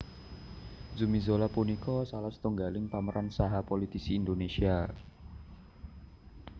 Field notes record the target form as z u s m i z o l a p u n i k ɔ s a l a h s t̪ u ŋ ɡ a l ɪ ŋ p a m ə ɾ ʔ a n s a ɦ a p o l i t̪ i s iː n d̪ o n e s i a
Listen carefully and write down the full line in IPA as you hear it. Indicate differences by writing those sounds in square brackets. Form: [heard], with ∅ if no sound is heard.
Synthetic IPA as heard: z u [∅] m i z o l a p u n i k ɔ s a l a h s t̪ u ŋ ɡ a l ɪ ŋ p a m ə ɾ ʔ a n s a ɦ a p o l i t̪ i s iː n d̪ o n e s i a